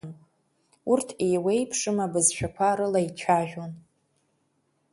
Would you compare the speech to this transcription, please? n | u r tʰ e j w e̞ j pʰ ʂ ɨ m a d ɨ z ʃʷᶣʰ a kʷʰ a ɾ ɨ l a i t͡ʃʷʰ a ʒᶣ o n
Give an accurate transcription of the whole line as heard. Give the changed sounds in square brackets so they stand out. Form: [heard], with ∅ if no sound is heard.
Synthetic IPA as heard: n | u r tʰ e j w e̞ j pʰ ʂ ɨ m a [b] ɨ z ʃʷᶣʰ a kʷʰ a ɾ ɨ l a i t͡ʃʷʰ a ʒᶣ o n